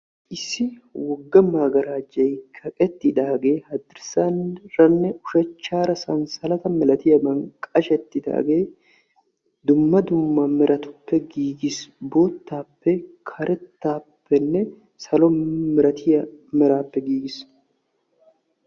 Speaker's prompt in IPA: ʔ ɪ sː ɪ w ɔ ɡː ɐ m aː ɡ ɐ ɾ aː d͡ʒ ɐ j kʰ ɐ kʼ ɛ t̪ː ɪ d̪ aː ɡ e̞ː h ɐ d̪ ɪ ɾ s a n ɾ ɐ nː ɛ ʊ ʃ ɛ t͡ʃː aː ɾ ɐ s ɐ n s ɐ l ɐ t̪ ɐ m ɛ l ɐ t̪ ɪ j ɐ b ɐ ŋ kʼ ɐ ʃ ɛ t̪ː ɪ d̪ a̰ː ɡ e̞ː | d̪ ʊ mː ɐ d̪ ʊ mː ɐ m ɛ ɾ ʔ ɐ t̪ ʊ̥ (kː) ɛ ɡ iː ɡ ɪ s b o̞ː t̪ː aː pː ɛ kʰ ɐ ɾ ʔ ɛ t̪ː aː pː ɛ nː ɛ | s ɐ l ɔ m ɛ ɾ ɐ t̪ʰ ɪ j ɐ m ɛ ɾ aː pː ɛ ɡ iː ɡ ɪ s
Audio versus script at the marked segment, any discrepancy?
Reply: yes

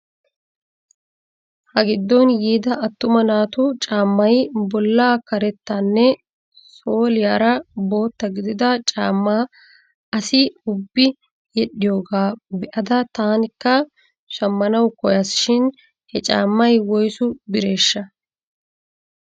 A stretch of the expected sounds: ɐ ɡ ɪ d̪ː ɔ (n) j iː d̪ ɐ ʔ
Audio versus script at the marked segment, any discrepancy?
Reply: no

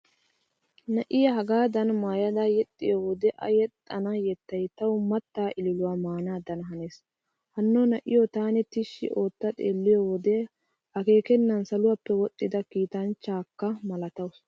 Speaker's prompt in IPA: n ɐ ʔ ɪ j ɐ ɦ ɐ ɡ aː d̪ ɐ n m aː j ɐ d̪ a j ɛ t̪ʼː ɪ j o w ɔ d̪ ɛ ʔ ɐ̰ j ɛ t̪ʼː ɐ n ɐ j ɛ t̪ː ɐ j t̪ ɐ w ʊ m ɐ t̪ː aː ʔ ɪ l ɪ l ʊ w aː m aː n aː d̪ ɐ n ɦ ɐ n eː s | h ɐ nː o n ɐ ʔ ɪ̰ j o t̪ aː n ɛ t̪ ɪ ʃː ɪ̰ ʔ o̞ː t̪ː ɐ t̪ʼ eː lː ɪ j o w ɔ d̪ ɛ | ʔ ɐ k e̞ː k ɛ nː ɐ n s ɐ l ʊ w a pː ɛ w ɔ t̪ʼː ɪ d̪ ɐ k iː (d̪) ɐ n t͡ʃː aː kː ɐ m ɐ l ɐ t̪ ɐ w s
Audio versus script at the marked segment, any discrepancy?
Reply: yes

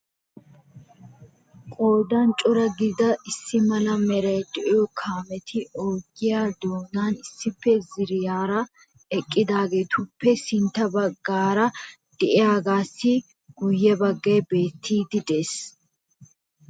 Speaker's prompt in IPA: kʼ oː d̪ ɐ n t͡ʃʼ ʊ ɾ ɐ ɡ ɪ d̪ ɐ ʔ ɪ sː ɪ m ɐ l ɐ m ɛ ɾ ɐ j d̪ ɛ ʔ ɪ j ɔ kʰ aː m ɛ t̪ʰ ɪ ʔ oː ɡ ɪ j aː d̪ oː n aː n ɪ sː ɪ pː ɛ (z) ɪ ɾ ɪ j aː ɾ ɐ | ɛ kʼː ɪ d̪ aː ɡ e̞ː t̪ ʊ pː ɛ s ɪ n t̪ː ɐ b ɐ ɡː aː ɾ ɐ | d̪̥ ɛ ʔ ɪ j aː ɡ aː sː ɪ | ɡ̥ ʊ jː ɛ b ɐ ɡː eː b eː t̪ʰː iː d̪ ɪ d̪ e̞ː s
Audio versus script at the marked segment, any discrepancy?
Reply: no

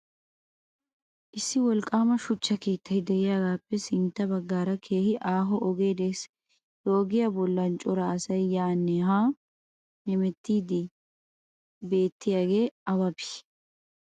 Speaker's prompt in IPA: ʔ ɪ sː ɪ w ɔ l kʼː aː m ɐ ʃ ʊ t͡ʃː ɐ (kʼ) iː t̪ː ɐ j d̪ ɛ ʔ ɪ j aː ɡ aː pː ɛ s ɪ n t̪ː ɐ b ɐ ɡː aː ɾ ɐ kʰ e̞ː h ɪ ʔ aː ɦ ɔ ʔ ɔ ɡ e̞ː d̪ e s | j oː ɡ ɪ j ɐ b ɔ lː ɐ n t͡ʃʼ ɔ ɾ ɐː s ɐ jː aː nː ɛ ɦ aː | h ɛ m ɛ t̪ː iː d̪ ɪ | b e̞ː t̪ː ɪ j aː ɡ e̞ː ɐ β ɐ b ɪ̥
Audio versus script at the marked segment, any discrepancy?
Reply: yes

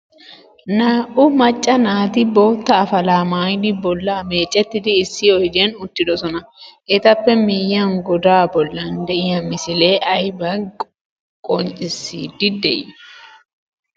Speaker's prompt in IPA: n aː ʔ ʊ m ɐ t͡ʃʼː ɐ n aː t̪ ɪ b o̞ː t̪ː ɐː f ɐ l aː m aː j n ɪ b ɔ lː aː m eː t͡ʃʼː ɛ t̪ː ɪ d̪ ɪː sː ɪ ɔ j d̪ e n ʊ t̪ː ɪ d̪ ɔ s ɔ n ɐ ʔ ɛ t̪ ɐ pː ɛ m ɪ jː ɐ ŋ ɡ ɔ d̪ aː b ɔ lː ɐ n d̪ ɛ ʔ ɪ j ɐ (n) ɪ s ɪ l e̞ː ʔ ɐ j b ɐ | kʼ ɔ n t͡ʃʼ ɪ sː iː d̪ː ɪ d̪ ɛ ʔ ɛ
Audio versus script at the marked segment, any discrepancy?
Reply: yes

